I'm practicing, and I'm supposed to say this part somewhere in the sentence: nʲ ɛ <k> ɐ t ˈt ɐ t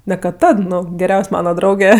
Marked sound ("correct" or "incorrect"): correct